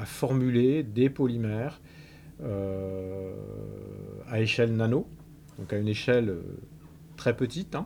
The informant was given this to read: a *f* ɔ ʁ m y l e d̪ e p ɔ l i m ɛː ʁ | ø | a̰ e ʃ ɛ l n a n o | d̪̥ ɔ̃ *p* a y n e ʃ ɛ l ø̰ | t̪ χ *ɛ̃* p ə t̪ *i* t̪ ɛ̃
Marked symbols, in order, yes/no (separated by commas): yes, no, no, yes